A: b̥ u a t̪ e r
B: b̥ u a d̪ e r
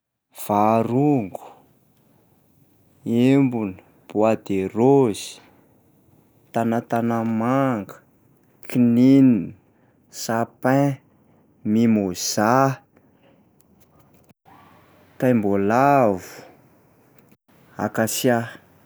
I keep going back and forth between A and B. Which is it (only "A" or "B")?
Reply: B